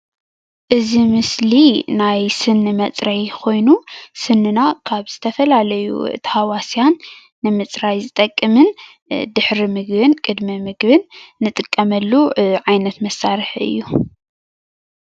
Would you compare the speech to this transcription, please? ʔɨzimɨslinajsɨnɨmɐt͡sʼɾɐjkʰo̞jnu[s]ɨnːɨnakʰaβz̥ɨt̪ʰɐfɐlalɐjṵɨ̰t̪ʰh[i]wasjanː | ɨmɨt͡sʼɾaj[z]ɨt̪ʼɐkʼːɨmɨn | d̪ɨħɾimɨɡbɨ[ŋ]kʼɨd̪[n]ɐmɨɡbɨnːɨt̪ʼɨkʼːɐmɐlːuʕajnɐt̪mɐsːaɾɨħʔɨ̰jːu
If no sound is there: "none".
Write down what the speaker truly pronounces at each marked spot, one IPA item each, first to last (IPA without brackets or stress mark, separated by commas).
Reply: s, a, z, n, m